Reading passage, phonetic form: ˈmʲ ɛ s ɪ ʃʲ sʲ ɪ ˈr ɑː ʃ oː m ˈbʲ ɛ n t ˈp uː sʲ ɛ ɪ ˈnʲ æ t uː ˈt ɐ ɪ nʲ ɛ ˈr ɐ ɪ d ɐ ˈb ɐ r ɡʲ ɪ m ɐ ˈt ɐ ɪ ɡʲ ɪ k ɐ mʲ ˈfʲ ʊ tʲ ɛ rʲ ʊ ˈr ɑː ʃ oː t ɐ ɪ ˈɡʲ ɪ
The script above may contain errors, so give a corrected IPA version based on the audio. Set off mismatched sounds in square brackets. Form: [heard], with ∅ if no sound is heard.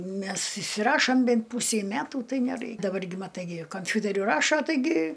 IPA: ˈmʲ ɛ s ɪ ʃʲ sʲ ɪ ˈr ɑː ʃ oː m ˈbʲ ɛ n t ˈp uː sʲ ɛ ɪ [ˈmʲ] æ t uː ˈt ɐ ɪ nʲ ɛ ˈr ɐ ɪ d ɐ ˈb ɐ r ɡʲ ɪ m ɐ ˈt ɐ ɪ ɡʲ ɪ k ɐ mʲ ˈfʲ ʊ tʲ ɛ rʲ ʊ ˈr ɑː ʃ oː t ɐ ɪ ˈɡʲ ɪ